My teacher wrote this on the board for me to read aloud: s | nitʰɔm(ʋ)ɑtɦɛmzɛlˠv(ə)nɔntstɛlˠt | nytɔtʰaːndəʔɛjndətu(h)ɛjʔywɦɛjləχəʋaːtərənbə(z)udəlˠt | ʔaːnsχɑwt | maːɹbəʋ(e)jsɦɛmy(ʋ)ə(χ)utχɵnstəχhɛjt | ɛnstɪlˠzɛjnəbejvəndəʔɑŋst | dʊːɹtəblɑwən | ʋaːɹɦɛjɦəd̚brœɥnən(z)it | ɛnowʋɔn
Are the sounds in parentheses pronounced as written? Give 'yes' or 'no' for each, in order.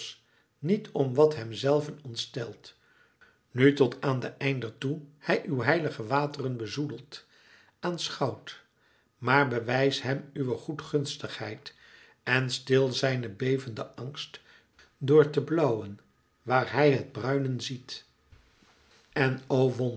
yes, yes, yes, yes, no, yes, yes, yes

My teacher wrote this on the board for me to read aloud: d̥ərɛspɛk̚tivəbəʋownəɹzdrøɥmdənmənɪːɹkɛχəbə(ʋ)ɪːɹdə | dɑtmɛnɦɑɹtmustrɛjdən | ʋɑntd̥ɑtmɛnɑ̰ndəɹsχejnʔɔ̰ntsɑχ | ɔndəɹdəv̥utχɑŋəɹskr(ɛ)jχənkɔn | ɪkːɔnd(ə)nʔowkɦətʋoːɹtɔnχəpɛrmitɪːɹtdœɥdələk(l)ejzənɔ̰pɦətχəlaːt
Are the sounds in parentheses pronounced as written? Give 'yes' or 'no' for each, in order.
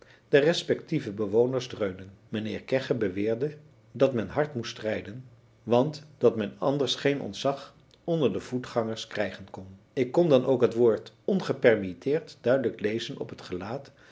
yes, yes, no, yes

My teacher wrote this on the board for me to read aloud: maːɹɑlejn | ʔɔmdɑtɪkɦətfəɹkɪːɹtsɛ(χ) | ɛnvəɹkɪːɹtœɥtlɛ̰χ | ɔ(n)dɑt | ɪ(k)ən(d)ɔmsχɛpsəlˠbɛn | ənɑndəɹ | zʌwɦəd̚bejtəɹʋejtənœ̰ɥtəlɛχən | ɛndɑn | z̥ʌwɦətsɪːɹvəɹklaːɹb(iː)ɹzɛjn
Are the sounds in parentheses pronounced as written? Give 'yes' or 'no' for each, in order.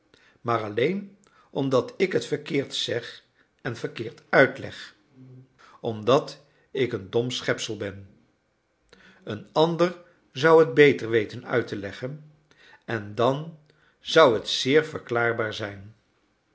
yes, no, yes, yes, no

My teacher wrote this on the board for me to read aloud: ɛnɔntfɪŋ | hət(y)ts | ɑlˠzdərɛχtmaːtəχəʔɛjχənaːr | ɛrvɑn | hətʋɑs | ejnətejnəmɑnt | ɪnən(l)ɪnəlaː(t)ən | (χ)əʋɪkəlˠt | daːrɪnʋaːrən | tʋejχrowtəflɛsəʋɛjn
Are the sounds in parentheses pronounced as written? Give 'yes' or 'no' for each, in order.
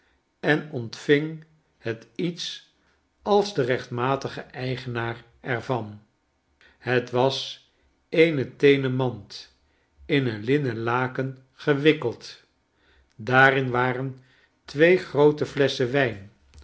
no, yes, no, yes

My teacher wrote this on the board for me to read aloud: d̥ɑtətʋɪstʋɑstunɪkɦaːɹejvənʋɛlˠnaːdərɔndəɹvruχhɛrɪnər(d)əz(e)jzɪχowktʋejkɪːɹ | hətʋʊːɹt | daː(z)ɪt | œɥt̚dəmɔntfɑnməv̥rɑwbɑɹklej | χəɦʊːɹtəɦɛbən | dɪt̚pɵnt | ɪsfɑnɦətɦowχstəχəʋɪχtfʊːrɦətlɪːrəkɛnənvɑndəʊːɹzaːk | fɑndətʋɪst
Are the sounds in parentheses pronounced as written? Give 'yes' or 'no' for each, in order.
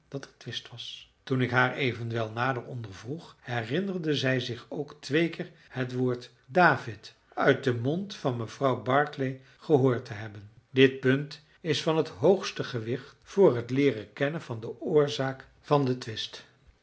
yes, no, no

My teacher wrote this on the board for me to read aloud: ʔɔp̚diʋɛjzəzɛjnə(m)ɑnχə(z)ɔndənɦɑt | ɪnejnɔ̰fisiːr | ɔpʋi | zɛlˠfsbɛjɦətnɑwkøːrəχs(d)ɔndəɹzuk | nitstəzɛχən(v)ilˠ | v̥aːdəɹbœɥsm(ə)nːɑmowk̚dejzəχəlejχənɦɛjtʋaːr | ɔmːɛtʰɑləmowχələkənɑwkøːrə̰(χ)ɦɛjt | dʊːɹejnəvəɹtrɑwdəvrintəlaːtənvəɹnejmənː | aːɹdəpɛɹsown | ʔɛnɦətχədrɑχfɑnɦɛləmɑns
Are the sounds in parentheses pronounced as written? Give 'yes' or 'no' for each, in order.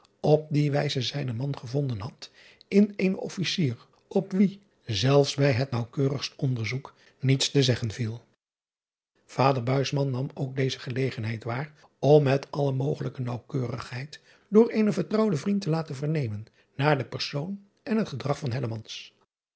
yes, no, no, yes, no, yes

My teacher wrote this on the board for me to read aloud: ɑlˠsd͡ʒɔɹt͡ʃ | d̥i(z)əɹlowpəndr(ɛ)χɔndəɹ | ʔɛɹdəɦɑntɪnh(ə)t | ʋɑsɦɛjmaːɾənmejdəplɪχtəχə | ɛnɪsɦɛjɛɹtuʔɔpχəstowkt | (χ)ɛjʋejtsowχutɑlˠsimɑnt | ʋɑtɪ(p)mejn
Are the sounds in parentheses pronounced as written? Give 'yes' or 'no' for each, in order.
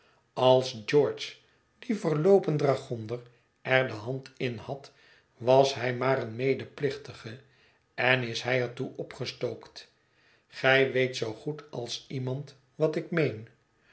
no, no, no, yes, no

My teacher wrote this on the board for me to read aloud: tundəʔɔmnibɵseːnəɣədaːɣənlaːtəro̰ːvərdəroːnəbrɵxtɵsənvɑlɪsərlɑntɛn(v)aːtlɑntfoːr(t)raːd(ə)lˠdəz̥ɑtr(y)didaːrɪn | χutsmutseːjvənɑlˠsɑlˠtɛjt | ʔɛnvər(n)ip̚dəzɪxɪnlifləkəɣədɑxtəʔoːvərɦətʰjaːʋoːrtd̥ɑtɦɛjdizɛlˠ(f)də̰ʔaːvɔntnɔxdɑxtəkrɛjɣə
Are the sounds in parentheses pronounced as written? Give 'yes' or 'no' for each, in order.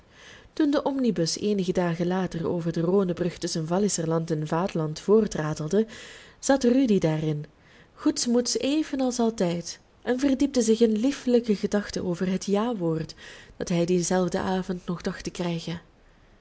yes, yes, yes, yes, no, no

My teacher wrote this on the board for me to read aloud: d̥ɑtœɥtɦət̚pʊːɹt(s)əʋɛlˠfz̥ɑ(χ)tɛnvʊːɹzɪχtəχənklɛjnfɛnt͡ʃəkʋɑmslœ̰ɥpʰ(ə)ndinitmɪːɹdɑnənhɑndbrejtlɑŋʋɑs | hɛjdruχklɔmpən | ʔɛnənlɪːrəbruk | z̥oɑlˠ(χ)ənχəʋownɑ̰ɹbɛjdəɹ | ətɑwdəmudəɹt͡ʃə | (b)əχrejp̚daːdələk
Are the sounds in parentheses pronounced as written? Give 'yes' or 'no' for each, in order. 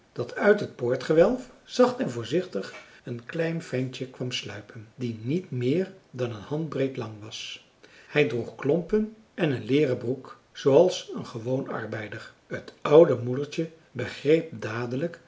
no, yes, yes, no, yes

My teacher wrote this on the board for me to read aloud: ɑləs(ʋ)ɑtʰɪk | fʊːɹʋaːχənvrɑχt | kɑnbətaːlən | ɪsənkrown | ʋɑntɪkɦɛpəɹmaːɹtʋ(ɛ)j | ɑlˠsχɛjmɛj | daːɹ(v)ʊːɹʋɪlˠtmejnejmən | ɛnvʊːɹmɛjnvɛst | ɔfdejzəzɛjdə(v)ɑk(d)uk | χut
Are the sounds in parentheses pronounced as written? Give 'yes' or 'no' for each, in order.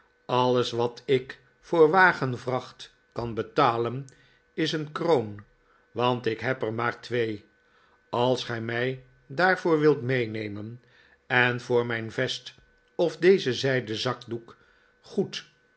yes, no, yes, no, yes

